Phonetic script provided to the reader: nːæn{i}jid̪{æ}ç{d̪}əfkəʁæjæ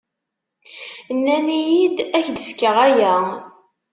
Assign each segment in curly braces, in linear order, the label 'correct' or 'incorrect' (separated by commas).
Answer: correct, correct, correct